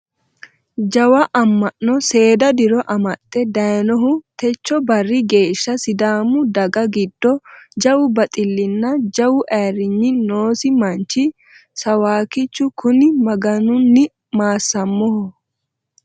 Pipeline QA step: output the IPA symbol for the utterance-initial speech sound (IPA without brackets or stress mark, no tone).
d͡ʒ